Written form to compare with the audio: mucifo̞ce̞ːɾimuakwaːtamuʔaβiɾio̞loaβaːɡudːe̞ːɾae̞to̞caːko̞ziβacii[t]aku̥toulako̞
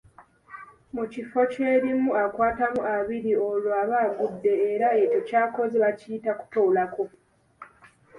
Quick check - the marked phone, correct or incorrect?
correct